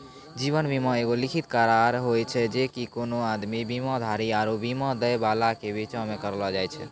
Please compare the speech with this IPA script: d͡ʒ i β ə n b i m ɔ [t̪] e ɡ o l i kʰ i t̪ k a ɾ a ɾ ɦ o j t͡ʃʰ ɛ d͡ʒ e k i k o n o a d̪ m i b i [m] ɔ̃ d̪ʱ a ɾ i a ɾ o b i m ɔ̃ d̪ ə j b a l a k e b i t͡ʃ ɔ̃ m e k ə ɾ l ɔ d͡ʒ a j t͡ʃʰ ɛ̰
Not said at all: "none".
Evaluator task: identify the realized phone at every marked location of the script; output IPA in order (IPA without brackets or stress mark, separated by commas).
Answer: none, m